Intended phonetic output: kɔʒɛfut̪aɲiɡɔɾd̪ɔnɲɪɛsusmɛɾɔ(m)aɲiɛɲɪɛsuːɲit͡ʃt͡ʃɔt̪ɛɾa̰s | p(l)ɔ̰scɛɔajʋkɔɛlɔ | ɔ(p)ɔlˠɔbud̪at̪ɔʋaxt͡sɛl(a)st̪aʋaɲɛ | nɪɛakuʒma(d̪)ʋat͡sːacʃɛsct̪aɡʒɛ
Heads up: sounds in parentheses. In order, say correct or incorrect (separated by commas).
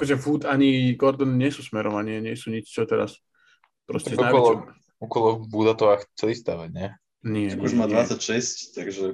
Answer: correct, incorrect, incorrect, incorrect, correct